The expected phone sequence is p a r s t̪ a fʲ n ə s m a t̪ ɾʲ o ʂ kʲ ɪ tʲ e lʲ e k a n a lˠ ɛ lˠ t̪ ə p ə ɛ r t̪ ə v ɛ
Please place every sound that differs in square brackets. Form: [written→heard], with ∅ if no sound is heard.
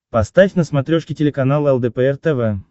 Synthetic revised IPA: p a [r→∅] s t̪ a fʲ n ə s m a t̪ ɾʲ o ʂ kʲ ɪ tʲ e lʲ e k a n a lˠ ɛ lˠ [t̪→d̪] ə p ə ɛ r t̪ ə v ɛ